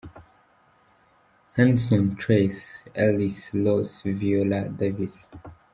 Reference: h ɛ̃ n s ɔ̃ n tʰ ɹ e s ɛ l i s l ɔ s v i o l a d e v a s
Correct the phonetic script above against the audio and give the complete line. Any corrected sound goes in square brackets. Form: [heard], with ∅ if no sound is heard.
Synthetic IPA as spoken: h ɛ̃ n s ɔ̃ n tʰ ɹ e s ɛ l i s l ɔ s v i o l a d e v [i] s